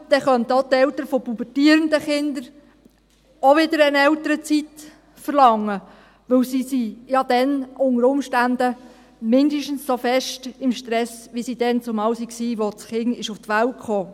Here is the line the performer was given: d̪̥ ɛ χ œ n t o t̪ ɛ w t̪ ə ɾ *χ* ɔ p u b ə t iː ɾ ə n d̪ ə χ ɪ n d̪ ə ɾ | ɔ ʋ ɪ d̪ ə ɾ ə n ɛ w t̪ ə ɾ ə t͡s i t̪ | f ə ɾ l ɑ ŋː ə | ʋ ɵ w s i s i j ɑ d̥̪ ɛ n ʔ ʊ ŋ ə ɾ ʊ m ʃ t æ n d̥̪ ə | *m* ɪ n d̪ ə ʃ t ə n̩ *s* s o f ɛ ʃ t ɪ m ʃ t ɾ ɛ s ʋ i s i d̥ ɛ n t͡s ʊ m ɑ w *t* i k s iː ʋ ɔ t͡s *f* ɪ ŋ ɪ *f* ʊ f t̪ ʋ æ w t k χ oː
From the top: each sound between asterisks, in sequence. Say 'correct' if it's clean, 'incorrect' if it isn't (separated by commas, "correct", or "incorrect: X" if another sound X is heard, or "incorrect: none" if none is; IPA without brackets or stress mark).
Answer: incorrect: f, correct, correct, incorrect: s, incorrect: χ, incorrect: ʃ